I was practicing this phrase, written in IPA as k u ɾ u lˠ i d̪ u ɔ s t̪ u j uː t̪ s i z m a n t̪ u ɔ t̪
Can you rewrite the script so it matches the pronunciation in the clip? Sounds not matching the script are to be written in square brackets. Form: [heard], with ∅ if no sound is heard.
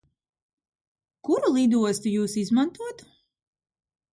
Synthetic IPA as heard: k u ɾ u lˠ i d̪ u ɔ s t̪ u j uː [∅] s i z m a n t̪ u ɔ t̪